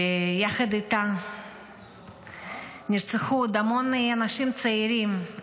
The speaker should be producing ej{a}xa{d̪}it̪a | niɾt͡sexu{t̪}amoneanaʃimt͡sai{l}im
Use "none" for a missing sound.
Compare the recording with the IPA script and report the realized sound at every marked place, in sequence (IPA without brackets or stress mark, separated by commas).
a, d̪, d̪, ɾ